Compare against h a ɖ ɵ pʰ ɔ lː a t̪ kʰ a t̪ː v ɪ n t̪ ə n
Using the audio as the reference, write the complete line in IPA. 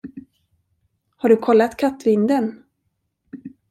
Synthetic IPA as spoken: h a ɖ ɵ kʰ ɔ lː a t̪ kʰ a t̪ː v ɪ n d̪ ə n